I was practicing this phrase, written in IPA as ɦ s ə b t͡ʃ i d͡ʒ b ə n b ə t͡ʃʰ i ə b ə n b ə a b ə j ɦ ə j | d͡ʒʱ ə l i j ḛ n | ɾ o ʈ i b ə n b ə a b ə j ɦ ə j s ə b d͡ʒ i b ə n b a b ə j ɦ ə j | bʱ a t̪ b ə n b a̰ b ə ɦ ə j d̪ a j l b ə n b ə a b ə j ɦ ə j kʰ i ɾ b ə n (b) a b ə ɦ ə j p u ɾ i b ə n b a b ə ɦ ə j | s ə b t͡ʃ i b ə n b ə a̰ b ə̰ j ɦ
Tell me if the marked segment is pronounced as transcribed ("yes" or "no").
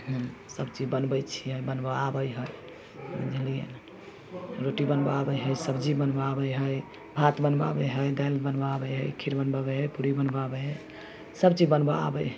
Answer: yes